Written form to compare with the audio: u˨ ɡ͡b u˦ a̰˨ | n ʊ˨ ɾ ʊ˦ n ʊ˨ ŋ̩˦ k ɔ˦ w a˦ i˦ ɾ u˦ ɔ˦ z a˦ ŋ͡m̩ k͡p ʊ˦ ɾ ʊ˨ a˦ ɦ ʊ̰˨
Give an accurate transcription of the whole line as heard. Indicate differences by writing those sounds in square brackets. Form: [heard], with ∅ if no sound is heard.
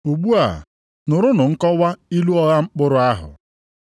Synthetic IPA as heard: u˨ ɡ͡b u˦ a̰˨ | n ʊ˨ ɾ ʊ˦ n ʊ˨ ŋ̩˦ k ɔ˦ w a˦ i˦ [l] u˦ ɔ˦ [ɣ] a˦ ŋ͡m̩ k͡p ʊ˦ ɾ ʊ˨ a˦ ɦ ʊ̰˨